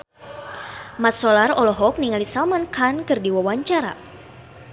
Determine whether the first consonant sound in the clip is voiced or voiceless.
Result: voiced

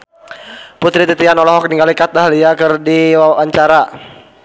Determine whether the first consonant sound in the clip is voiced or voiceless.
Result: voiceless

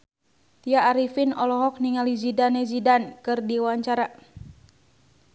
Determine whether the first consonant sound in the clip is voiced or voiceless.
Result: voiceless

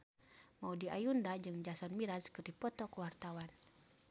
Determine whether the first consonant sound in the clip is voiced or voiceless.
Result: voiced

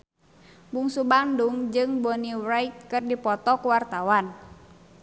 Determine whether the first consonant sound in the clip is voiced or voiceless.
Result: voiced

